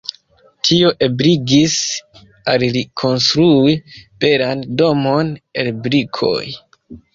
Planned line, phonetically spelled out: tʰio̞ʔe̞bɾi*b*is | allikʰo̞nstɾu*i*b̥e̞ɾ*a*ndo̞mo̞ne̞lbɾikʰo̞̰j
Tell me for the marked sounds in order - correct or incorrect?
incorrect, correct, correct

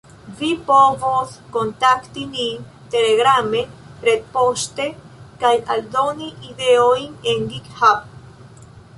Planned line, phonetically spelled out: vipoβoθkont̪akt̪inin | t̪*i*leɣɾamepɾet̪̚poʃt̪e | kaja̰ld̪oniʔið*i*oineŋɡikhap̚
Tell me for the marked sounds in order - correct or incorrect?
incorrect, incorrect

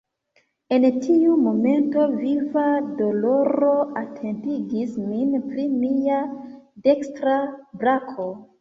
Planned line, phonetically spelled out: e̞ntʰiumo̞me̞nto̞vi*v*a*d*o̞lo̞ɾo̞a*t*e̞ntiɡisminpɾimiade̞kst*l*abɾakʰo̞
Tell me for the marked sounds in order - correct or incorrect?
correct, correct, incorrect, incorrect

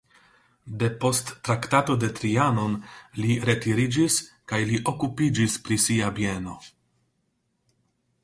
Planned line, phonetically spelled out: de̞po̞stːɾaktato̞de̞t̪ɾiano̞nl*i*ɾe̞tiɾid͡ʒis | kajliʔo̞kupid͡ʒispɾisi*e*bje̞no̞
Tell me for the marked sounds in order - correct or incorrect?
correct, incorrect

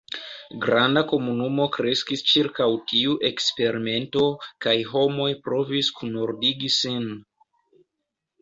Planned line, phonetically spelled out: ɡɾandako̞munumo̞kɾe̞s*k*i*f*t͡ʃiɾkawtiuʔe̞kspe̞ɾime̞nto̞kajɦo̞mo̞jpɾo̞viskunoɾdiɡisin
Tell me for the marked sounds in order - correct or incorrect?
correct, incorrect

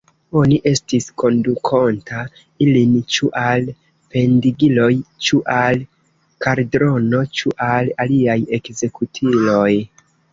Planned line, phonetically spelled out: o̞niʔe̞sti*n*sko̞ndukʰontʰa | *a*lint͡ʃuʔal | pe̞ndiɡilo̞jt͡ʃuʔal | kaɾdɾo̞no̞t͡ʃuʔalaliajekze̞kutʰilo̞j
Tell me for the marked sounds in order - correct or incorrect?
incorrect, incorrect

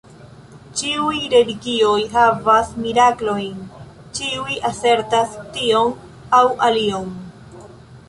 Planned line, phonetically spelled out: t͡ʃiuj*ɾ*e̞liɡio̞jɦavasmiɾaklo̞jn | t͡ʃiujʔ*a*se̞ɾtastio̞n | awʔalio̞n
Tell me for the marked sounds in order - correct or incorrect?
correct, correct

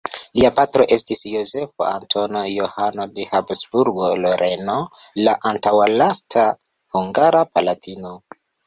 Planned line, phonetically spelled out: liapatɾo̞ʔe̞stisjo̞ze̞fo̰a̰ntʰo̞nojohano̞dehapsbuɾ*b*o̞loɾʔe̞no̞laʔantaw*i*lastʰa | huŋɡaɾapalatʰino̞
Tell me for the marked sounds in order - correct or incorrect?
incorrect, incorrect

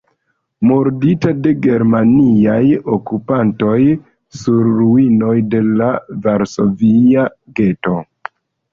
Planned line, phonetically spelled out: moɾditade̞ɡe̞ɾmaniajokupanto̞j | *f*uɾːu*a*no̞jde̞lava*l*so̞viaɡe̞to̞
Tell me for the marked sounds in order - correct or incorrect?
incorrect, incorrect, incorrect

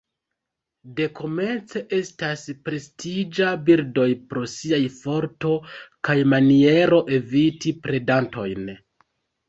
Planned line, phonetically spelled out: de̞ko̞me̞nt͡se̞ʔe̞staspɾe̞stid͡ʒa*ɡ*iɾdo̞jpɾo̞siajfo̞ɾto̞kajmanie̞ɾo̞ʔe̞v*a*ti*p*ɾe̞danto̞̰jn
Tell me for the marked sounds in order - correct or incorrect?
incorrect, incorrect, correct

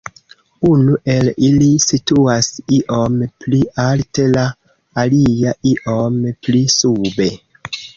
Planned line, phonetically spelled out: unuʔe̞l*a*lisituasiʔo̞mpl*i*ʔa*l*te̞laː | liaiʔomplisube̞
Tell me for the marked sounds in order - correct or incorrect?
incorrect, correct, correct

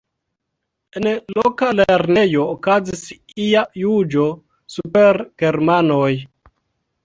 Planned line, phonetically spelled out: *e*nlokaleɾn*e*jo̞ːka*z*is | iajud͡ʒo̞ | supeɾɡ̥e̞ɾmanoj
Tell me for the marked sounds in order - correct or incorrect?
correct, correct, correct

